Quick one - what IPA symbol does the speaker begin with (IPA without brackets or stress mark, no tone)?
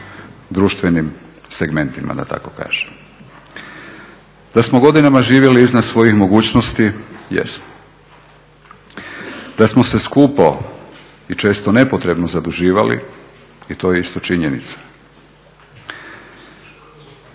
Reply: d̪